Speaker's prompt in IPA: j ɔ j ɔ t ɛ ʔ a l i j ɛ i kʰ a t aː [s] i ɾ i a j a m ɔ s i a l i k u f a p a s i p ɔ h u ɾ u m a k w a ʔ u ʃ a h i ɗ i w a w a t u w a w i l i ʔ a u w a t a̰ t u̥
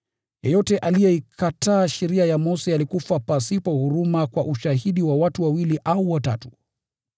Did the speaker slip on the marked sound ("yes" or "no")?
yes